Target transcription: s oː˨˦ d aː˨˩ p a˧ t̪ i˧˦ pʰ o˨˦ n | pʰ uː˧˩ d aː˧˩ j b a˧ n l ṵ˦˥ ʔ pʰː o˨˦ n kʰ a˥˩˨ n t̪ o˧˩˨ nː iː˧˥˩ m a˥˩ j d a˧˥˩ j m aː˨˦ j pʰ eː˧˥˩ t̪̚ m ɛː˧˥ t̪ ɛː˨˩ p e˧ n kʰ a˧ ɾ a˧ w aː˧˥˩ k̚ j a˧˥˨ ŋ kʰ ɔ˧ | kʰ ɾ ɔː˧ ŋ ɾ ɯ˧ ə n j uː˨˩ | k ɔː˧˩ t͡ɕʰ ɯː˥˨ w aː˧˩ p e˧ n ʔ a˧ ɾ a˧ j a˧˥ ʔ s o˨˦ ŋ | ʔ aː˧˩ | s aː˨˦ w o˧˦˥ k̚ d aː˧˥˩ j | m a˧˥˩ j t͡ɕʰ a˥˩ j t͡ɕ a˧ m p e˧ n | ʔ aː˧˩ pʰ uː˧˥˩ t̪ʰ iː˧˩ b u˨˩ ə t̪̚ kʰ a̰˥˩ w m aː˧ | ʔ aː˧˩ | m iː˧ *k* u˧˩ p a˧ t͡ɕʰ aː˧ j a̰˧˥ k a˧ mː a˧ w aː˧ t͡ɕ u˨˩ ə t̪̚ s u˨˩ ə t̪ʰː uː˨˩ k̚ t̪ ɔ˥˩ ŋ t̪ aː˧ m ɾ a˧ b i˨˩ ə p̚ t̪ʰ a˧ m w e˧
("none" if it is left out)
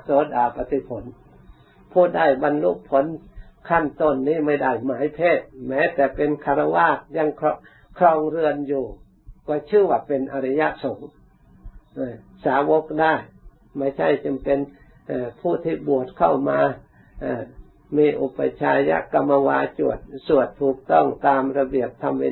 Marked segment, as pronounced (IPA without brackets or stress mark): ʔ